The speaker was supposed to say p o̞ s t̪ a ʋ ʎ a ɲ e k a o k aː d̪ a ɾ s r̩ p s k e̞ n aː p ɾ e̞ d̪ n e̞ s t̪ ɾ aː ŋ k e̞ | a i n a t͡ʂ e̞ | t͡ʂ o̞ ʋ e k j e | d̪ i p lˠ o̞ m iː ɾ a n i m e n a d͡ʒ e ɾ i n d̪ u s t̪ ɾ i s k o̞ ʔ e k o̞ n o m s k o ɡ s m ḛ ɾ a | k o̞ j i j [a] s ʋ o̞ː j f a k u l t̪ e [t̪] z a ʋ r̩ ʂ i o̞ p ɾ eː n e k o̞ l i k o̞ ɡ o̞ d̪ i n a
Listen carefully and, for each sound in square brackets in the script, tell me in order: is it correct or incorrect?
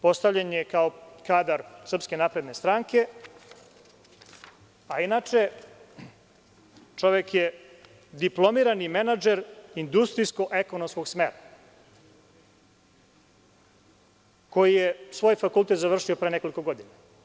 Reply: incorrect: e, correct

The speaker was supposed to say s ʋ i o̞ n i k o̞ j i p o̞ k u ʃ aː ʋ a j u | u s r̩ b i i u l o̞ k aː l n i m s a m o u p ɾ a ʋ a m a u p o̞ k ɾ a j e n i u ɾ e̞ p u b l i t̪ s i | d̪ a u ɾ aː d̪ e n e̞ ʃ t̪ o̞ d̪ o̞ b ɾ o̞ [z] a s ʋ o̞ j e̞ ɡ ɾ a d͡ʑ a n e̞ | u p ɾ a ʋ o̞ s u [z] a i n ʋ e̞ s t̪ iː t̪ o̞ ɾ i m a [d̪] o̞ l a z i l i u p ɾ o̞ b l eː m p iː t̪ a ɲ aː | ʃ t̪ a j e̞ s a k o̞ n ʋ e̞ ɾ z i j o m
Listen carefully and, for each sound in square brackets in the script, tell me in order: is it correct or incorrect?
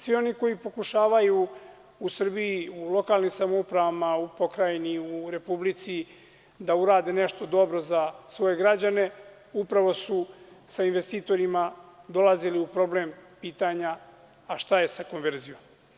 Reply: correct, incorrect: s, correct

